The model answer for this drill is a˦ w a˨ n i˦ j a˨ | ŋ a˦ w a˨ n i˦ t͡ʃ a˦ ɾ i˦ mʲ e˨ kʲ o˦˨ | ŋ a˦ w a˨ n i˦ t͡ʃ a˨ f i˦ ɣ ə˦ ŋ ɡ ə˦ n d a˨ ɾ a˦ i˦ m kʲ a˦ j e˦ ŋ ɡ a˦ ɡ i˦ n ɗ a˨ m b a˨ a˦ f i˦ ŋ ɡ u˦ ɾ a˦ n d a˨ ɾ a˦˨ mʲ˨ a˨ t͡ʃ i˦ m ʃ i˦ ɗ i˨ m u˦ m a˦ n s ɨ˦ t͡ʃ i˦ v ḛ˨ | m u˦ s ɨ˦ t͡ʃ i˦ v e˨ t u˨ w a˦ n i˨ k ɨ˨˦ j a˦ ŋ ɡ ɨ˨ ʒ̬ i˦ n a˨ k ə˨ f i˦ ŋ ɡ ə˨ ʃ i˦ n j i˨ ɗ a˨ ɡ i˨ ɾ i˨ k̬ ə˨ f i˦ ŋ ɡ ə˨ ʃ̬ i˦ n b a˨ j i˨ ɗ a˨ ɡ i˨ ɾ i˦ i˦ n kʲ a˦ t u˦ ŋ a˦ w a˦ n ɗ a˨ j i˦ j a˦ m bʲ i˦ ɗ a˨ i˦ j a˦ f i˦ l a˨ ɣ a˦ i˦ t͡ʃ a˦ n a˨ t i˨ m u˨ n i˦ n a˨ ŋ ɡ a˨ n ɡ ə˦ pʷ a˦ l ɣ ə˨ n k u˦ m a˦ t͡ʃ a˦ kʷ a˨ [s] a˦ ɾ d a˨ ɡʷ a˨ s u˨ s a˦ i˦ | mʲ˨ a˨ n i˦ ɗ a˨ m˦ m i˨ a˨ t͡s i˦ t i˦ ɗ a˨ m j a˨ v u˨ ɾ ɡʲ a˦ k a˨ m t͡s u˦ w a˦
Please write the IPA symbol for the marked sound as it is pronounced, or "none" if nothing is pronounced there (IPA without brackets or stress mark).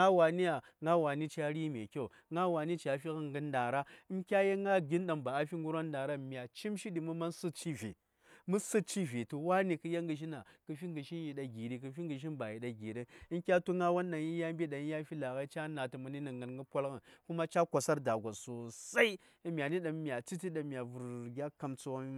s